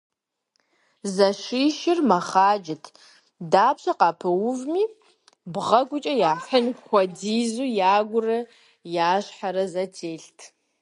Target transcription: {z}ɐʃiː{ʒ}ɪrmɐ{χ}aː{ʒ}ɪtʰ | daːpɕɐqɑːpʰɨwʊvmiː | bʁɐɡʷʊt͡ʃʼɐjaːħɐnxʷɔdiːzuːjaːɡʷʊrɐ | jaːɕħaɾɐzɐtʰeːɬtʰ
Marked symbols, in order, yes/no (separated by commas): yes, no, yes, no